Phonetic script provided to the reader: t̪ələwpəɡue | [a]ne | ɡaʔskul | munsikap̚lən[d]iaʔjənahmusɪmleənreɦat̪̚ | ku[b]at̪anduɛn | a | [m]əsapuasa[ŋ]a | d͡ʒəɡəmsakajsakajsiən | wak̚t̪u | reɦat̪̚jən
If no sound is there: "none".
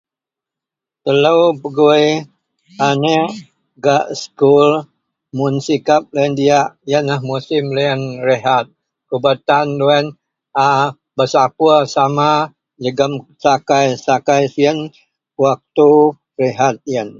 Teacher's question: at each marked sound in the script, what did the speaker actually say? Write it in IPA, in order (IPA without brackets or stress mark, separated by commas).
a, d, b, b, m